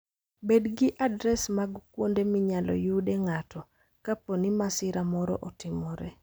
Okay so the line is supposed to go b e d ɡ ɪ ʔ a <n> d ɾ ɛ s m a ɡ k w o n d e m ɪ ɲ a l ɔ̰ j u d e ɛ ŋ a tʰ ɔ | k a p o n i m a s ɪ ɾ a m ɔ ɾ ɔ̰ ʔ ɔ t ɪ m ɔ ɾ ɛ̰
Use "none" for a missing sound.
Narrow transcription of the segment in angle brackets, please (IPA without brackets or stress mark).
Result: none